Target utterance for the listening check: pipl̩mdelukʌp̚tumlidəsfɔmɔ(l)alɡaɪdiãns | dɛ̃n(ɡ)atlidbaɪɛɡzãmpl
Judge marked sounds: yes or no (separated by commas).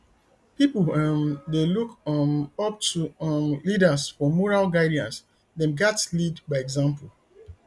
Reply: no, yes